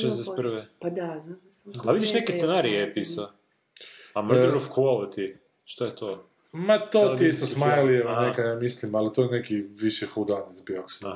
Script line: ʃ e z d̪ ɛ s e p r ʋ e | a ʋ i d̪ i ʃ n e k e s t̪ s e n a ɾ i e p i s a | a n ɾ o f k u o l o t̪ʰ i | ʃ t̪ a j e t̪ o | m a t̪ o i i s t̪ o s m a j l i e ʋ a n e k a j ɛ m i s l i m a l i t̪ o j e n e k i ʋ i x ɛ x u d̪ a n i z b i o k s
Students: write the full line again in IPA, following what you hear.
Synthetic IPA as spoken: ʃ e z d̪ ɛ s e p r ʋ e | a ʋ i d̪ i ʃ n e k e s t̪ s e n a ɾ i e p i s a | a m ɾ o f k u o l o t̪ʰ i | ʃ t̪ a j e t̪ o | m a t̪ o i i s t̪ o s m a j l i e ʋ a n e k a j a m i s l i m a l i t̪ o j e n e k i ʋ i ʃ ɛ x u d̪ a n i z b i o k s